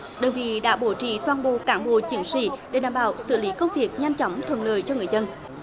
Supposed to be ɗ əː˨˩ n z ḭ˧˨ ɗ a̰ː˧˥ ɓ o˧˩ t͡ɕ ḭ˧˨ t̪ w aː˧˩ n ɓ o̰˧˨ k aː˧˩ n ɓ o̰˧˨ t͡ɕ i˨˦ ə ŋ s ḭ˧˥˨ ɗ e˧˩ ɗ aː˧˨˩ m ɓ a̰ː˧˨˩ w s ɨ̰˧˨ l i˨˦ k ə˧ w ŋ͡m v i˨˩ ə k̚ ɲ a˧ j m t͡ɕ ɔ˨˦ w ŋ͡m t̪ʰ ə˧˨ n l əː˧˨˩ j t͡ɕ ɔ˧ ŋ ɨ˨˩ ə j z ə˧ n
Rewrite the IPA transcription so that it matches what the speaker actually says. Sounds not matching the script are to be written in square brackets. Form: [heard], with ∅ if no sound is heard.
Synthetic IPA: ɗ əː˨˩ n [v] ḭ˧˨ ɗ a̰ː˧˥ ɓ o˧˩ t͡ɕ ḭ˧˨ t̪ w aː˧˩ n ɓ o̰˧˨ k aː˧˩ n ɓ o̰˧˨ t͡ɕ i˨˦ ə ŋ s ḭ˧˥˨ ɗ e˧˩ ɗ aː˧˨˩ m ɓ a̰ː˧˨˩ w s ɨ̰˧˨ l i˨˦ k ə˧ w ŋ͡m v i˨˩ ə k̚ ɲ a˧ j m t͡ɕ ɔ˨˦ w ŋ͡m t̪ʰ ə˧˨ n l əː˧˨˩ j t͡ɕ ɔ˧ ŋ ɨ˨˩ ə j z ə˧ n